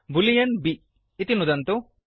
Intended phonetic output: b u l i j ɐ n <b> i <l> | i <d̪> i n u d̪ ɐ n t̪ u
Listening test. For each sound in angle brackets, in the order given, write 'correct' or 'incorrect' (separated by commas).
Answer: correct, incorrect, incorrect